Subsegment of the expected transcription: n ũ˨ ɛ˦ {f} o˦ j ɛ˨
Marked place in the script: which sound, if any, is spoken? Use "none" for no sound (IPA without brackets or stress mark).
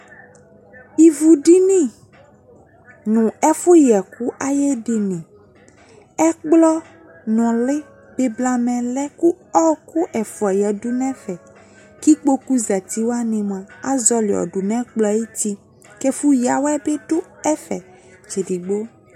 f